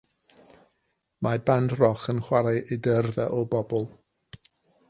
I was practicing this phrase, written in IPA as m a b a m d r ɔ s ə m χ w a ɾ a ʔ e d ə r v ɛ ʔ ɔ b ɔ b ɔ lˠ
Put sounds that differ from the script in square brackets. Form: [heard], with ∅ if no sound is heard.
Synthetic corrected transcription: m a b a [n] d r ɔ [χ] ə [n] χ w a ɾ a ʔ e d ə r [ð] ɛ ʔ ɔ b ɔ b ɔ lˠ